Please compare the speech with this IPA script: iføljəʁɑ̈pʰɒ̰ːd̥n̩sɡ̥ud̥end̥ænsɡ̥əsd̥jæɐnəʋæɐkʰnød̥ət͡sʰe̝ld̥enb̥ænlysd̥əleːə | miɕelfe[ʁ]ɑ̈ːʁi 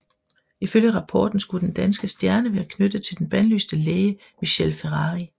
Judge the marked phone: correct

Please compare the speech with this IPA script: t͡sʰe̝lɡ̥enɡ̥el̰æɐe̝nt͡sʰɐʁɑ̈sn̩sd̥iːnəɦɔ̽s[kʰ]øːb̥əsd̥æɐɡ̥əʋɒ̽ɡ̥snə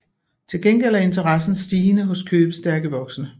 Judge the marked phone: correct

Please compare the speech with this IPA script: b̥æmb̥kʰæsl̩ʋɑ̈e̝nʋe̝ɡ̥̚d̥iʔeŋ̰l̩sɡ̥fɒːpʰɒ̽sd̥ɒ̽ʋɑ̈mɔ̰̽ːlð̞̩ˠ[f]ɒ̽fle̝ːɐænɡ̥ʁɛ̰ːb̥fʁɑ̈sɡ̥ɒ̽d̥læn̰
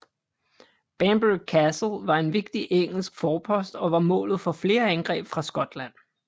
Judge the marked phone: correct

